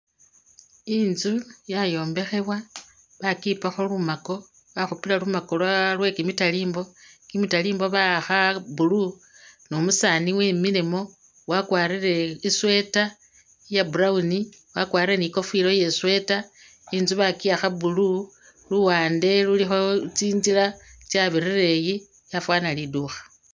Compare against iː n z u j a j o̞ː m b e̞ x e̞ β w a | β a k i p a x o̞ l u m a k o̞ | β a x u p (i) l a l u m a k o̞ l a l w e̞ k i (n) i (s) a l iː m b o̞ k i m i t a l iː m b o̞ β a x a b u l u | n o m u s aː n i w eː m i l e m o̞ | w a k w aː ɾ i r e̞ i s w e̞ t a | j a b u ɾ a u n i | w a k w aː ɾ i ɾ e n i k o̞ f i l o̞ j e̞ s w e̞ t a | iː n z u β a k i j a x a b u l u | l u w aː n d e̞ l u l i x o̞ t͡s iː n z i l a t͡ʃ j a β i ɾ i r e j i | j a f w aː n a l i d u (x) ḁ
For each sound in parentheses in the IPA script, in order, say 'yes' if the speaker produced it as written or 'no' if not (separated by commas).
yes, no, no, yes